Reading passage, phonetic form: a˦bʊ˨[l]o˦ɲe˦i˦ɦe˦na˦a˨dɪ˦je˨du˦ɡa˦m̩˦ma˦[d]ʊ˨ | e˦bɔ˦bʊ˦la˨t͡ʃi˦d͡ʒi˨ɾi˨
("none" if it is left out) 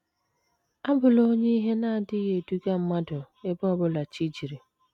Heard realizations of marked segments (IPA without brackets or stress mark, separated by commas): l, d